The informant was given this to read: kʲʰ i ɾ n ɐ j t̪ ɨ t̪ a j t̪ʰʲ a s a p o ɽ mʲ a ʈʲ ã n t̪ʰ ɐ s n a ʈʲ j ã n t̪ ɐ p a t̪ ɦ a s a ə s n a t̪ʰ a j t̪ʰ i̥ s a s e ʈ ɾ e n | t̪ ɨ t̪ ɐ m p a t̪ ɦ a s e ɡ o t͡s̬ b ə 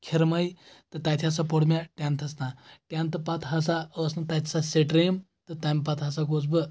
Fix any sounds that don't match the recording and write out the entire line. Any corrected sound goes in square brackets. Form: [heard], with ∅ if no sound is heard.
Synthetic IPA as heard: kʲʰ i ɾ [m] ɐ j t̪ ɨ t̪ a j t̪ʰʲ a s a p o ɽ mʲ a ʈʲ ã n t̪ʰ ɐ s n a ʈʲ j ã n t̪ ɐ p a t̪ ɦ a s a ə s n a [t̪] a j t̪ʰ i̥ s a s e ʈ ɾ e [m] | t̪ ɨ t̪ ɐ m p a t̪ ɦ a s [a] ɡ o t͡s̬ b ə